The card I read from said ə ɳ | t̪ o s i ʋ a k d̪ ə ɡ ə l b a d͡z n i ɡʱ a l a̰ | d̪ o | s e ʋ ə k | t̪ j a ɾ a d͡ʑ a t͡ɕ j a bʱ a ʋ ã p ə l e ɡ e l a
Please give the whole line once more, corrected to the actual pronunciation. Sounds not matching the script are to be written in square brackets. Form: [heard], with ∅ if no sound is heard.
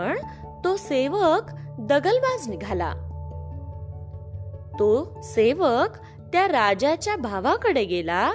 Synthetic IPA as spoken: ə ɳ | t̪ o s [e] ʋ [ə] k d̪ ə ɡ ə l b a d͡z n i ɡʱ a l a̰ | [t̪] o | s e ʋ ə k | t̪ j a ɾ a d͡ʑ a t͡ɕ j a bʱ a ʋ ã [k] ə [ɽ] e ɡ e l a